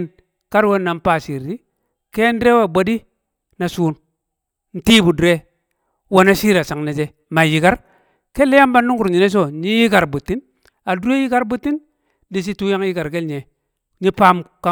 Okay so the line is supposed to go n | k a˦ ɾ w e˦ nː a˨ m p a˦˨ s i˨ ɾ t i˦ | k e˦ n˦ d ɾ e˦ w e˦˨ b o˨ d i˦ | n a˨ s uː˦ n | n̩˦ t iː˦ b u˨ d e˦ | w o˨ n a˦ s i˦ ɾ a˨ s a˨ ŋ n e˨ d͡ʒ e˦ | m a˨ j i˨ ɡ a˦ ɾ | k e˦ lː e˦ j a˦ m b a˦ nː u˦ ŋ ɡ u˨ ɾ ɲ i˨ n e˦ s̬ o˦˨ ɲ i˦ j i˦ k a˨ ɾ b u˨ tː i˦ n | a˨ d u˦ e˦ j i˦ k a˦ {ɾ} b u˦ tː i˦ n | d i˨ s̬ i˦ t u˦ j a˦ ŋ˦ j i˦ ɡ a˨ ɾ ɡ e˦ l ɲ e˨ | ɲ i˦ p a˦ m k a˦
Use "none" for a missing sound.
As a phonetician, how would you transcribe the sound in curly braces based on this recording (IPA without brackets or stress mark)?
ɾ